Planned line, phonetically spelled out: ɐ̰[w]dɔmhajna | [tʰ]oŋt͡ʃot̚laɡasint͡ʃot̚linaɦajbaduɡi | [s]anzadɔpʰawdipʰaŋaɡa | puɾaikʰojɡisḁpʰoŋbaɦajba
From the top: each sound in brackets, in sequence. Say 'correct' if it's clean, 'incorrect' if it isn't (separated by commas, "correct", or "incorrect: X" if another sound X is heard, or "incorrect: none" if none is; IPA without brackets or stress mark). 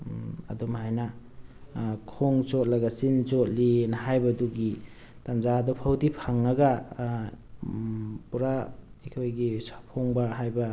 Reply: incorrect: none, incorrect: kʰ, incorrect: t